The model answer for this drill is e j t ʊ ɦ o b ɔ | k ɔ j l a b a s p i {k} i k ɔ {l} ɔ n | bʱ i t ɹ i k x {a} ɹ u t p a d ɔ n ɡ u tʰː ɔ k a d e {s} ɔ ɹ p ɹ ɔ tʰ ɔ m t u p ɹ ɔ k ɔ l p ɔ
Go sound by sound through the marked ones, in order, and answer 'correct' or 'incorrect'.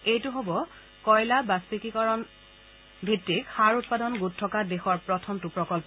correct, incorrect: ɹ, correct, incorrect: x

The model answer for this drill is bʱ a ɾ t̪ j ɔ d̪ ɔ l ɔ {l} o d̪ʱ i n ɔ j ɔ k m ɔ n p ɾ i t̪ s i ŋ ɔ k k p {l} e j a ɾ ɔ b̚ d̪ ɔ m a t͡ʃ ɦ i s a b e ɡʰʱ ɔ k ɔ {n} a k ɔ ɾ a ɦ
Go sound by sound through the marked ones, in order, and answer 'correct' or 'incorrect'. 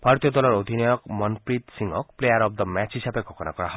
incorrect: ɾ, correct, correct

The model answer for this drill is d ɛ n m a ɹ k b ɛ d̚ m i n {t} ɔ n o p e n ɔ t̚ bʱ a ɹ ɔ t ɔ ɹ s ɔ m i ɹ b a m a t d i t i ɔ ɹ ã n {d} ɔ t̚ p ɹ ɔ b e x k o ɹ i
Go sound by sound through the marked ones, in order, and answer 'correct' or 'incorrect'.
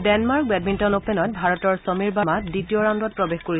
correct, correct

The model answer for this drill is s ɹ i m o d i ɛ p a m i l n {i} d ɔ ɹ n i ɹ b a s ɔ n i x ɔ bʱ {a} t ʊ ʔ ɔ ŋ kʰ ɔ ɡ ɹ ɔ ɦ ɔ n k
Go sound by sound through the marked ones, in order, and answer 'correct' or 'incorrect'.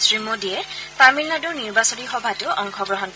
incorrect: a, correct

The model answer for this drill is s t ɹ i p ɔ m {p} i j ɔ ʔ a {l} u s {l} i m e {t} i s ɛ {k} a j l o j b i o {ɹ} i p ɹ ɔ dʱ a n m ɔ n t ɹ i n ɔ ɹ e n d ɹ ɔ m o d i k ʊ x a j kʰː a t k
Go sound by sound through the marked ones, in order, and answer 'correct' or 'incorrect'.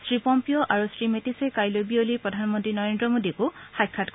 correct, incorrect: ɹ, incorrect: ɹ, correct, correct, incorrect: l

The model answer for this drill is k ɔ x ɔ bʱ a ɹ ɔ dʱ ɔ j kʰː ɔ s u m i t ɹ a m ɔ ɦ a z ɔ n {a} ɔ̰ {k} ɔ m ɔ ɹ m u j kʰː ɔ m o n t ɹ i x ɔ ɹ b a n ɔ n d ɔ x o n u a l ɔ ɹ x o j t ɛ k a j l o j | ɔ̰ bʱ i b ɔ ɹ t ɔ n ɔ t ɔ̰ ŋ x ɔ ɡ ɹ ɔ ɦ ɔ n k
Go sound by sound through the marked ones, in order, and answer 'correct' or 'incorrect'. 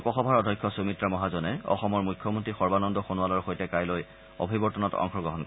incorrect: ɛ, incorrect: x

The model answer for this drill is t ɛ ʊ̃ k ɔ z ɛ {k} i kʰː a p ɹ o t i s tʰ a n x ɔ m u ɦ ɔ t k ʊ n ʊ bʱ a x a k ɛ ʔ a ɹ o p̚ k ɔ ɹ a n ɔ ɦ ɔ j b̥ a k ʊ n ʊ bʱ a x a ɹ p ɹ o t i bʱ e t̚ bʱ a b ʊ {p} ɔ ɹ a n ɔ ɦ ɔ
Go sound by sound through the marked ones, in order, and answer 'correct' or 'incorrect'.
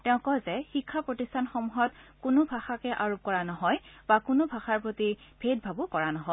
incorrect: x, incorrect: k

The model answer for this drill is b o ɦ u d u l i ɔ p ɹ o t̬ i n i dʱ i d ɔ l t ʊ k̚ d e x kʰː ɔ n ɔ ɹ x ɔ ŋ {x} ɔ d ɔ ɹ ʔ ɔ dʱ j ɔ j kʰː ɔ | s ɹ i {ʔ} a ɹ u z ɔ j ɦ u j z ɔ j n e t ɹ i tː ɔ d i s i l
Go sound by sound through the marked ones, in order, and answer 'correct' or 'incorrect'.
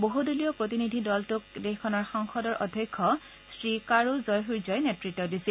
correct, incorrect: k

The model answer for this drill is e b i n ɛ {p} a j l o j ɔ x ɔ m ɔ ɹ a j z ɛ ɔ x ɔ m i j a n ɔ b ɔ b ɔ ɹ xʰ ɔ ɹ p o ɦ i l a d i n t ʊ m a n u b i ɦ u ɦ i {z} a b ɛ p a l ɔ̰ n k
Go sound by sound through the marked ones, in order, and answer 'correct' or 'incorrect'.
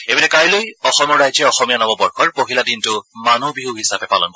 incorrect: k, incorrect: s

